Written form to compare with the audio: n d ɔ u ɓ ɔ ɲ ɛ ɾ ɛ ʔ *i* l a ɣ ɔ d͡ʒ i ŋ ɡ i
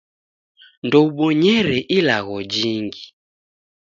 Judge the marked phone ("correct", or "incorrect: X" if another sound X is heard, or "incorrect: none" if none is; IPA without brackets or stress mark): correct